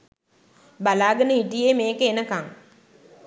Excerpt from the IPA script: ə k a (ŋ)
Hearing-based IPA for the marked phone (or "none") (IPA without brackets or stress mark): ŋ